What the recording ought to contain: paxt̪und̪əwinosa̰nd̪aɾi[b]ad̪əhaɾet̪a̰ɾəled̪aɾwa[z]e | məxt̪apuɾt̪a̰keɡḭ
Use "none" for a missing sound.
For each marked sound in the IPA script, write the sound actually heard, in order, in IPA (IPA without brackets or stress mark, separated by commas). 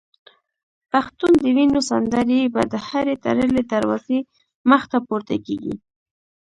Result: b, z